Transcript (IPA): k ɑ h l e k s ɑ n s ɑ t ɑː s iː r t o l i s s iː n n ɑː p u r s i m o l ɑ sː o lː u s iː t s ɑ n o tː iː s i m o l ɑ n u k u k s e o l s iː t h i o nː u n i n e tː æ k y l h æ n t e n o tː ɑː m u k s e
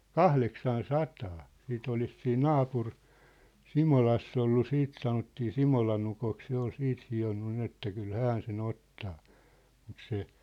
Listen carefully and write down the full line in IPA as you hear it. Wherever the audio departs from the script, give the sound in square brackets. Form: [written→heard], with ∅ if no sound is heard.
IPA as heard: k ɑ h l e k s ɑ n s ɑ t ɑː s iː [r→∅] t o l i s s iː n n ɑː p u r s i m o l ɑ sː o lː u s iː t s ɑ n o tː iː s i m o l ɑ n u k [u→o] k s e o l s iː t h i o nː u n i n e tː æ k y l h æ n [t→s] e n o tː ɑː m u [k→t] s e